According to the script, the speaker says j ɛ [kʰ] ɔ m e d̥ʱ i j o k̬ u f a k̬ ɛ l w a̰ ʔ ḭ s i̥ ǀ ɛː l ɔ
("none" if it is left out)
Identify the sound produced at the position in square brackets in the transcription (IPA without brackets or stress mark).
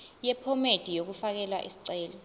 pʰ